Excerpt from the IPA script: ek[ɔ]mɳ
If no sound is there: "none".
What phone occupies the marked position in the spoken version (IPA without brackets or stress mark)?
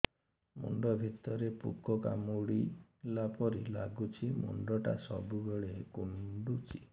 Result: u